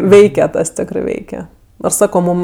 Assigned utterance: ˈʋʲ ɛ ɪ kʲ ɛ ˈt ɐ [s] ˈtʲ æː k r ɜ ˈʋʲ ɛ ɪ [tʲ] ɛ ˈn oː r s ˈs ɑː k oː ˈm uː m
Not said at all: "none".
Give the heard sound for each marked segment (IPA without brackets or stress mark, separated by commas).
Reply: s, kʲ